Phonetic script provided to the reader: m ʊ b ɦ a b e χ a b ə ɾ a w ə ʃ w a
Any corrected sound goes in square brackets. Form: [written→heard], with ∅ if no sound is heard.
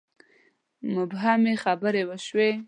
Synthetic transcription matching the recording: m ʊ b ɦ a [b→m] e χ a b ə ɾ [a→e] w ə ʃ w [a→e]